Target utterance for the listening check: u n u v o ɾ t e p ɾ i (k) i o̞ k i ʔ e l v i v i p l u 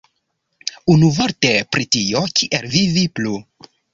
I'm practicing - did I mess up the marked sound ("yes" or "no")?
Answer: yes